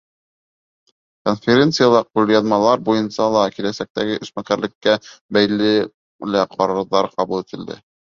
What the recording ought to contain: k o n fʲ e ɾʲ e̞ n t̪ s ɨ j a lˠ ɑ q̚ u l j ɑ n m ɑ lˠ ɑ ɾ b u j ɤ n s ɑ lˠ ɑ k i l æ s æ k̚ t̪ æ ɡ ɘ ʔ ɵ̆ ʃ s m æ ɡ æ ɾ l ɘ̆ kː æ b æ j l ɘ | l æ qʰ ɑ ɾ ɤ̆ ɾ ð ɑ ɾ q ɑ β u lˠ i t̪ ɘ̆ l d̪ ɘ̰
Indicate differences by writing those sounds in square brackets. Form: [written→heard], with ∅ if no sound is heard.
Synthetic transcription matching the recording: k o n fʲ e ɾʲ e̞ n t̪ s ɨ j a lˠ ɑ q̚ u l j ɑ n m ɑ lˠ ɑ ɾ b u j ɤ n s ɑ lˠ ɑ k i l æ s æ k̚ t̪ æ ɡ ɘ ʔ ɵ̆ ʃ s m æ [ɡ→k] æ ɾ l ɘ̆ kː æ b æ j l ɘ | l æ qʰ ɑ ɾ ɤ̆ ɾ ð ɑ ɾ q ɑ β u lˠ i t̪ ɘ̆ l d̪ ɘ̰